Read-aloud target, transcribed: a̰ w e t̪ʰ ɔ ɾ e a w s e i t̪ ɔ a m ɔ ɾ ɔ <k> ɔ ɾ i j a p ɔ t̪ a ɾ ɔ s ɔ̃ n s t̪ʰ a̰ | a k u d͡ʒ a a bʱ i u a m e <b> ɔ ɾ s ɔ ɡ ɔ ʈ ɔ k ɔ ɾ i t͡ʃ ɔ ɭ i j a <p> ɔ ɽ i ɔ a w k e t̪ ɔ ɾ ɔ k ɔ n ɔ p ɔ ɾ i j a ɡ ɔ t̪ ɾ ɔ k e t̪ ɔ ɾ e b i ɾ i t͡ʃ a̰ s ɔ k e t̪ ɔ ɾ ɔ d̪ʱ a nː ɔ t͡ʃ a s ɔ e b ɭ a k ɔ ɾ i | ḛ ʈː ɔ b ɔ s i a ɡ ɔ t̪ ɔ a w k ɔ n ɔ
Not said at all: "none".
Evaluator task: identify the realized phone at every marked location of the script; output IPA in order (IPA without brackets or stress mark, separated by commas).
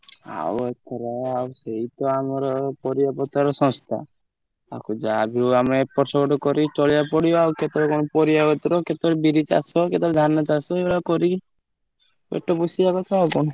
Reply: p, p, p